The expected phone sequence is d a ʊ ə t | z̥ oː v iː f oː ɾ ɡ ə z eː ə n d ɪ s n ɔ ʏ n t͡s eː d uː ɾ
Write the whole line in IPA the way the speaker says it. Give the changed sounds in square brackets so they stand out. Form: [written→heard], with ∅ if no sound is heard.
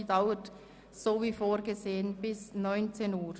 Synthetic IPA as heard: d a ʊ ə t | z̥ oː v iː f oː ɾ ɡ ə z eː ə n [d→b] ɪ s n ɔ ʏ n t͡s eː [d→n] uː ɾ